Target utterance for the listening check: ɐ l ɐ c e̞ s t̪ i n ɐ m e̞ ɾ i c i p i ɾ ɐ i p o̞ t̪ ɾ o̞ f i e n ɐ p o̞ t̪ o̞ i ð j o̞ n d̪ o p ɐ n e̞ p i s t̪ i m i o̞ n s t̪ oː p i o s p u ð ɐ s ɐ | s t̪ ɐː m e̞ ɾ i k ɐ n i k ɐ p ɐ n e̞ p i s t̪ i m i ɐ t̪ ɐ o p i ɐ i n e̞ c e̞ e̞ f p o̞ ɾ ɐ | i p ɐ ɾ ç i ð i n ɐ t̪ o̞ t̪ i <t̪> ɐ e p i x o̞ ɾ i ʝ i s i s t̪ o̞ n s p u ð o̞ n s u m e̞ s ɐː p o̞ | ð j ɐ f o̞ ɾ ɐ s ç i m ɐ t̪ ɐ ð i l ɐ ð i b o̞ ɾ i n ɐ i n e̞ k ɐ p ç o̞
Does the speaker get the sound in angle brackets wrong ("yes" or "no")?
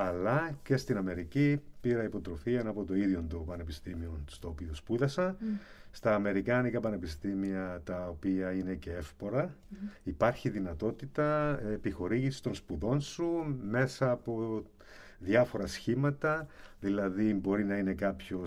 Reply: no